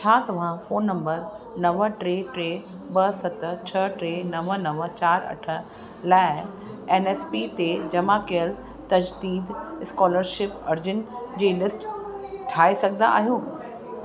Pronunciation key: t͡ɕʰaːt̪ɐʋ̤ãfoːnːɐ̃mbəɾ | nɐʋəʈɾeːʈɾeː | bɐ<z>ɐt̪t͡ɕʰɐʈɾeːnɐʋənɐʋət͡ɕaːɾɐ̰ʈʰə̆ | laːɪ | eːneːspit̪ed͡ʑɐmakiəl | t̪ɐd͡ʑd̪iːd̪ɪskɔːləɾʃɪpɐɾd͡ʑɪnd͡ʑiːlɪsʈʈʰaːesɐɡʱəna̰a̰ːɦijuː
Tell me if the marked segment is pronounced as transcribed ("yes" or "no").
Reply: no